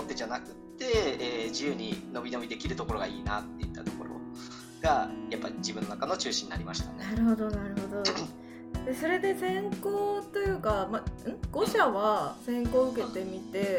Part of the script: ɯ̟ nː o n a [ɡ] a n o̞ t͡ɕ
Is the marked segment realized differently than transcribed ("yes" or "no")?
yes